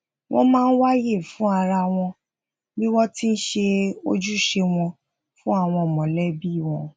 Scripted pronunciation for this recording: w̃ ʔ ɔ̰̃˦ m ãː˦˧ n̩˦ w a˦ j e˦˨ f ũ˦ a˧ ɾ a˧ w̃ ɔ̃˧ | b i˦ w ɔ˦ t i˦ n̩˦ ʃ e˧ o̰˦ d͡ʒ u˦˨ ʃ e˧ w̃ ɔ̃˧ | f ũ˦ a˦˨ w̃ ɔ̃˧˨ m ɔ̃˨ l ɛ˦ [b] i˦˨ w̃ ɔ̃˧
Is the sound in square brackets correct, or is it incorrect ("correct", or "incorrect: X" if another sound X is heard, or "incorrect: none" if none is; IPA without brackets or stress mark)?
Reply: correct